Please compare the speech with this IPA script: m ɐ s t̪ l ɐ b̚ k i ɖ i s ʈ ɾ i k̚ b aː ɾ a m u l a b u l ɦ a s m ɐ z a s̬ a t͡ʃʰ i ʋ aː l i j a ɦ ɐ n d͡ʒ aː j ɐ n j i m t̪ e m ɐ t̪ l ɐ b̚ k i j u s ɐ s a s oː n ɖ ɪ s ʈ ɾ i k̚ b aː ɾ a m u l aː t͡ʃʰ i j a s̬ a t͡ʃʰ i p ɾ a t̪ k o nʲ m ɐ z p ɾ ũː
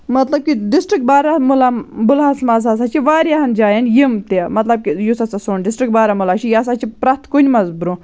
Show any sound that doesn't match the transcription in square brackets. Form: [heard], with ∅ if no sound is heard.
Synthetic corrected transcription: m ɐ [∅] t̪ l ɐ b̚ k i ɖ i s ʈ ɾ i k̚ b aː ɾ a m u l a b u l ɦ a s m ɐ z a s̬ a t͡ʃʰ i ʋ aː [ɾ] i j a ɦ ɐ n d͡ʒ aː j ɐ n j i m t̪ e m ɐ t̪ l ɐ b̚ k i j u s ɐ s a s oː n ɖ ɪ s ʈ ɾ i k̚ b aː ɾ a m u l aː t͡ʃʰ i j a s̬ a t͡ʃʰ i p ɾ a t̪ k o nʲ m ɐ z [b] ɾ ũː